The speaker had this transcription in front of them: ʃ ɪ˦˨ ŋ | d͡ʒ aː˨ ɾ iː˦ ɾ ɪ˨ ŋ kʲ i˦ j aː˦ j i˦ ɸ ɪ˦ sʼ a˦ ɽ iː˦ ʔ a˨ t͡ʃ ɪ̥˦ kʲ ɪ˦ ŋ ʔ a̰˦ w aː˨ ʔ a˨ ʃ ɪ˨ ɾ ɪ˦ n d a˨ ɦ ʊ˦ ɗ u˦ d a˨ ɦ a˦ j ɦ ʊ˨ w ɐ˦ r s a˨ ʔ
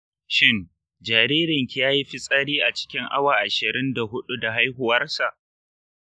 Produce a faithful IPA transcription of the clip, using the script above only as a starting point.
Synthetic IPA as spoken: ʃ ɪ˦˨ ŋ | d͡ʒ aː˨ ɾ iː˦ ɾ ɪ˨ ŋ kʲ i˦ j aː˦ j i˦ ɸ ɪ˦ sʼ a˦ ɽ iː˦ ʔ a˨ t͡ʃ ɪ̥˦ kʲ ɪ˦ ŋ ʔ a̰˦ w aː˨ ʔ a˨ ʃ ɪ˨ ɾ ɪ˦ n d a˨ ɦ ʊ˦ ɗ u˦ d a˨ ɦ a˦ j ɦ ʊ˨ w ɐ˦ r s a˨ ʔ